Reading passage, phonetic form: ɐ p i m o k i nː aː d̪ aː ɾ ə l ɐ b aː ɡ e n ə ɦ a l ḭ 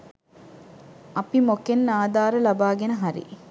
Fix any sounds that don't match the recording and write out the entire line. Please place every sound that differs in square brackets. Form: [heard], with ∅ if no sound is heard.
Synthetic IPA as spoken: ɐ p i m o k [e] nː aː d̪ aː ɾ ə l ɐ b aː ɡ e n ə ɦ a [ɾ] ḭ